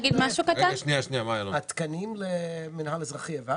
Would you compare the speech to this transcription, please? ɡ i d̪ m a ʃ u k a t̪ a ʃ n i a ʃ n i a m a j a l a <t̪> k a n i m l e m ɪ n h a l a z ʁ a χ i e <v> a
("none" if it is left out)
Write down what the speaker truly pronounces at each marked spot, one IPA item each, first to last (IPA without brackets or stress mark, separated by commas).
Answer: t̪, v